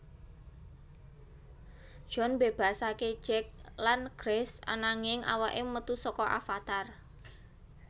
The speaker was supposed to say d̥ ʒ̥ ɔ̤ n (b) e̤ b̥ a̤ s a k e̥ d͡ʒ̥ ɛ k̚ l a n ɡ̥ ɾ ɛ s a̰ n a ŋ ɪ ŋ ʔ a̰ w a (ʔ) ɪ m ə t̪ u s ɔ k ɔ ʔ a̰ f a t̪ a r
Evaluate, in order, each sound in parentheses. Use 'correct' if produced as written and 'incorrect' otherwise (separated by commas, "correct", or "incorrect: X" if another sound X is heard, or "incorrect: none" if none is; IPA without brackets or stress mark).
correct, correct